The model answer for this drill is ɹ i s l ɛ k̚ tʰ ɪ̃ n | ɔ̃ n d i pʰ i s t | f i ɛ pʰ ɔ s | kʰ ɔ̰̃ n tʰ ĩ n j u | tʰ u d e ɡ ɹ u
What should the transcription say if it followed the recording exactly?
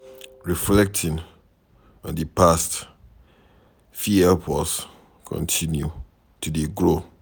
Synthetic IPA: ɹ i f l ɛ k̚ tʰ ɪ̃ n | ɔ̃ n d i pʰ a s t | f i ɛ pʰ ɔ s | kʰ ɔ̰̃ n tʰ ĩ n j u | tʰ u d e ɡ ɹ o